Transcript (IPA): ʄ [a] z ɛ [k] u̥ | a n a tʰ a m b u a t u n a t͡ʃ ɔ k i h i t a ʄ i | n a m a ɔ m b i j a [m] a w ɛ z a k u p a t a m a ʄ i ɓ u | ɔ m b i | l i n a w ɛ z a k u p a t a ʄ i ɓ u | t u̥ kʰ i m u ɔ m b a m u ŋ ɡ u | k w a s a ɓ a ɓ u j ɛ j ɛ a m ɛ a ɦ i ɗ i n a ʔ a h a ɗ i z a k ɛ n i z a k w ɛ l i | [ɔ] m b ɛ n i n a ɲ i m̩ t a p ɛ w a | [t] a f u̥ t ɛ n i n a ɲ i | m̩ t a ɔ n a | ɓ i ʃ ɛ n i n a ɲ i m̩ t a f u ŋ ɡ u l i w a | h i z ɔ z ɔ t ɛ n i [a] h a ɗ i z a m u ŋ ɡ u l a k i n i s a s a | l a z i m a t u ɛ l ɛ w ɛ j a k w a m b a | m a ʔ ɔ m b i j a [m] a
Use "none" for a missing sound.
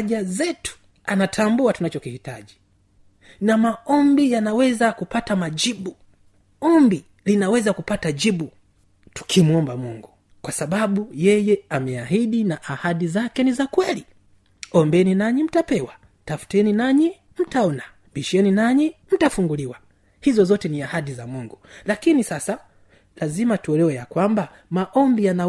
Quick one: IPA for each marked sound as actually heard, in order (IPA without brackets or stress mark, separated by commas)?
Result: a, t, n, ɔ, t, a, n